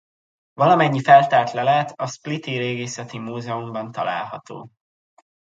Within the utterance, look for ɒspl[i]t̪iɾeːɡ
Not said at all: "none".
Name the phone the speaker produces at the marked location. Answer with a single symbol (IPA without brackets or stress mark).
i